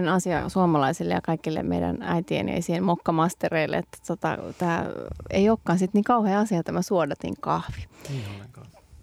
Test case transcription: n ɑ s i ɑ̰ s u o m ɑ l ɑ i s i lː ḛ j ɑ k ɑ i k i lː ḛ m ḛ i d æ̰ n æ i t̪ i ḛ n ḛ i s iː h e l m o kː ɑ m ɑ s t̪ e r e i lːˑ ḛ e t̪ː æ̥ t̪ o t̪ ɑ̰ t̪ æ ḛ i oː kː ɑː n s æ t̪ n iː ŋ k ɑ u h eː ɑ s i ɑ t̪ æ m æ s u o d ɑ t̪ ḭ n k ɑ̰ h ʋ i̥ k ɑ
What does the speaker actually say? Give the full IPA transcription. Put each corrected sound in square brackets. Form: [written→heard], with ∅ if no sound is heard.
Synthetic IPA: n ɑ s i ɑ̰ s u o m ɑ l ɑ i s i lː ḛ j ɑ k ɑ i k i lː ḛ m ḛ i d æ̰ n æ i t̪ i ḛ n ḛ i s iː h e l m o kː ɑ m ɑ s t̪ e r e i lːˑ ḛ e t̪ː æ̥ t̪ o t̪ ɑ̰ t̪ [æ→æː] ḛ i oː kː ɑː n s [æ→i] t̪ n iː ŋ k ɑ u h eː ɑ s i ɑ t̪ æ m æ s u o d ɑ t̪ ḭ [n→ŋ] k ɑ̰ h ʋ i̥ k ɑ